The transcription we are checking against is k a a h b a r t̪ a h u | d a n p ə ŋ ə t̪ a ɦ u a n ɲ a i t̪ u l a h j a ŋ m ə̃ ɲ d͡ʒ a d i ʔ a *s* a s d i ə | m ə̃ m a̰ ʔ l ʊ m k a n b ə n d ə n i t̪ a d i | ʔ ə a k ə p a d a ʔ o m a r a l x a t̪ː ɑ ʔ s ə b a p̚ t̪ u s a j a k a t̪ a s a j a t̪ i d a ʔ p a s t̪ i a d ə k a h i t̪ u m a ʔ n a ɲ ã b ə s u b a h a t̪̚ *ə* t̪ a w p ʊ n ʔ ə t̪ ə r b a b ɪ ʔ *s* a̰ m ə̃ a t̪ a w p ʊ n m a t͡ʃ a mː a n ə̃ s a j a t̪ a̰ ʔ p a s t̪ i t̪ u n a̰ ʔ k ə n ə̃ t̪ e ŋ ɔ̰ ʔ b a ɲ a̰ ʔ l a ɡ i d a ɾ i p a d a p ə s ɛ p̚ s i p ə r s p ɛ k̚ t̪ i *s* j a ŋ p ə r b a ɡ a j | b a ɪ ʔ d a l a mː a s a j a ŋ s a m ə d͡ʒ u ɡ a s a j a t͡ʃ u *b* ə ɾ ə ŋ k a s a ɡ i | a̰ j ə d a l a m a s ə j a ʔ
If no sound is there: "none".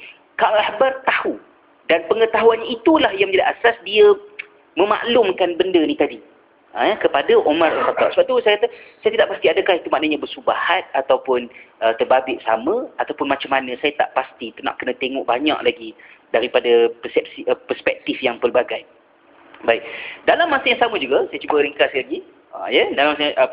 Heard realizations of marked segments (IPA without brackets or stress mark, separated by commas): s, a, s, f, b